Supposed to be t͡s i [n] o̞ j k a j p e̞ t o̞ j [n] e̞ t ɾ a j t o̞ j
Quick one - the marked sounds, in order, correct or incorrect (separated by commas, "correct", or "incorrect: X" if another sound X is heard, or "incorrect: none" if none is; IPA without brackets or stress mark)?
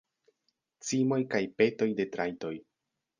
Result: incorrect: m, incorrect: d